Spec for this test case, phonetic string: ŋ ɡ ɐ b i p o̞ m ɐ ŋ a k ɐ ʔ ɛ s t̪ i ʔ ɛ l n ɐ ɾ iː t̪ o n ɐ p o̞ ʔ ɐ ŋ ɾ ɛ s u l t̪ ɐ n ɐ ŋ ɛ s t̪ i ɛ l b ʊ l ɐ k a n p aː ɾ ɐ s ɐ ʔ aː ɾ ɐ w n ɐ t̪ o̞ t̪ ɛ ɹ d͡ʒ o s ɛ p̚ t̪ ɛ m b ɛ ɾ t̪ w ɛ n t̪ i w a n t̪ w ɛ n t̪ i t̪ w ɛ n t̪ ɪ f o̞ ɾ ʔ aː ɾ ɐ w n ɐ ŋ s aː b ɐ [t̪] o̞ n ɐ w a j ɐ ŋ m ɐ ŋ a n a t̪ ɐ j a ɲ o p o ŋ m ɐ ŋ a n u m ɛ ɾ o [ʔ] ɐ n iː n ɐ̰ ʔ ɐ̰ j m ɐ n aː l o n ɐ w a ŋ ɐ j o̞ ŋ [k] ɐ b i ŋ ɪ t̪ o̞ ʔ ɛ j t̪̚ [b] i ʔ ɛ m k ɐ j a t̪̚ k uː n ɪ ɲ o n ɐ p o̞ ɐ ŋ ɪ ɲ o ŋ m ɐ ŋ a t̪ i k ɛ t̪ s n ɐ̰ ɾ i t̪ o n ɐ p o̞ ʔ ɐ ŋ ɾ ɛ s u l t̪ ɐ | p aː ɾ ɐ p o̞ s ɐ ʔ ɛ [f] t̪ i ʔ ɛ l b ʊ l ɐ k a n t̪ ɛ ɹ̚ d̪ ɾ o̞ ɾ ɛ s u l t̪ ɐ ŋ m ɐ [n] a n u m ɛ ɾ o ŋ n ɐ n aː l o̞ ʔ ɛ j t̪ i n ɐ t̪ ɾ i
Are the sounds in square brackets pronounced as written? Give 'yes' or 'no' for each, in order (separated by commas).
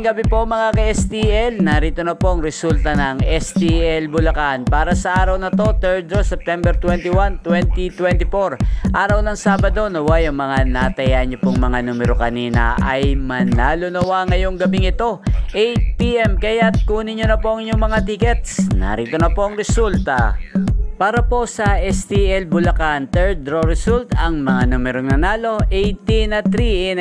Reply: no, no, no, no, no, no